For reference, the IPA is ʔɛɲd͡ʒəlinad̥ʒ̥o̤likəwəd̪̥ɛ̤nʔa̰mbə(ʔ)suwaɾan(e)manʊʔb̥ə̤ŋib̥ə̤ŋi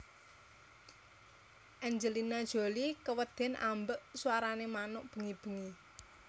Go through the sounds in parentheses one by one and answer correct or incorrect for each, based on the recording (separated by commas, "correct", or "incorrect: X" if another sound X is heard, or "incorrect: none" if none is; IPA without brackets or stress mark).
correct, correct